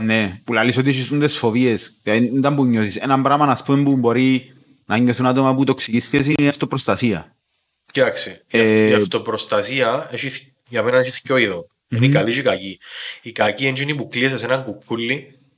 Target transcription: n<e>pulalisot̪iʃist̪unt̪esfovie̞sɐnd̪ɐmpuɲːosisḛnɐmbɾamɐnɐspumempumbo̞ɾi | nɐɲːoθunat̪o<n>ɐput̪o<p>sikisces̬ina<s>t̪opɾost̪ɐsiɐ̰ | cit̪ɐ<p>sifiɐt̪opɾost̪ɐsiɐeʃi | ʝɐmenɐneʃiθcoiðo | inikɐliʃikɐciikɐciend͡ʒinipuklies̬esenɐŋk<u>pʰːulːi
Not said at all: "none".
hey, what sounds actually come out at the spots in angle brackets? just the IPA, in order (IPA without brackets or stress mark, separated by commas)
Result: e, m, k, f, k, u